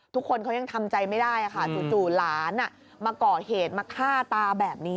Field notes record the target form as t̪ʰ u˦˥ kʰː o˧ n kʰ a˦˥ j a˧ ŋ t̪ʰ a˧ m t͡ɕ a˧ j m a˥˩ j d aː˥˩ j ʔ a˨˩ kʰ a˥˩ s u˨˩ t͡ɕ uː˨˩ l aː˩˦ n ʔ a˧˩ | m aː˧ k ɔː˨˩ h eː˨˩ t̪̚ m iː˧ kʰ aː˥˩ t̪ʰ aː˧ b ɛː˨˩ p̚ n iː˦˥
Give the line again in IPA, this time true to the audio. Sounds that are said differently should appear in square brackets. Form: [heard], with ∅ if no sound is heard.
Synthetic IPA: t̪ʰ u˦˥ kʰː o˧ n kʰ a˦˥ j a˧ ŋ t̪ʰ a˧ m t͡ɕ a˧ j m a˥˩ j d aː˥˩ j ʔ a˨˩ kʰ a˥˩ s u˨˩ t͡ɕ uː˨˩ l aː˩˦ n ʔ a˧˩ | m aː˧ k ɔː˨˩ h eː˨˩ t̪̚ m [aː˧] kʰ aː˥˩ [t̪] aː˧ b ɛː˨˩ p̚ n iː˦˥